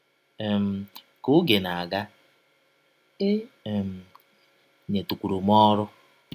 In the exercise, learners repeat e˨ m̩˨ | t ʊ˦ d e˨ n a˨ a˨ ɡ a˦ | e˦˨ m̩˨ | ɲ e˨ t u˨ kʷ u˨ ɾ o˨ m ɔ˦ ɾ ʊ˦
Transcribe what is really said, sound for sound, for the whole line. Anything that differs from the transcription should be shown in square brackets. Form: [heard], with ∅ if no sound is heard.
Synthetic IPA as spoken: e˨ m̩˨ | [k] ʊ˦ [ɡ] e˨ n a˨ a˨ ɡ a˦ | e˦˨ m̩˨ | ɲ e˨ t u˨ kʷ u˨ ɾ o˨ m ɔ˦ ɾ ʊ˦